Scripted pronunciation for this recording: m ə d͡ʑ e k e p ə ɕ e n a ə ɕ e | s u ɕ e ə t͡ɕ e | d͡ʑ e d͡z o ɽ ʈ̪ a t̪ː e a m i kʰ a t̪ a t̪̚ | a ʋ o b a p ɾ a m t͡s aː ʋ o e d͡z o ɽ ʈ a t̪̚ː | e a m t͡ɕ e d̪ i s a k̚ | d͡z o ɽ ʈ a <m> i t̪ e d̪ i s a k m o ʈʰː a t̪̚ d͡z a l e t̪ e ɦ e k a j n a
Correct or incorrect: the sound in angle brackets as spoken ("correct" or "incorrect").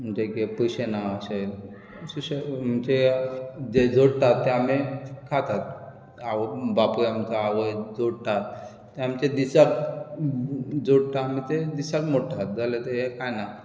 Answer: correct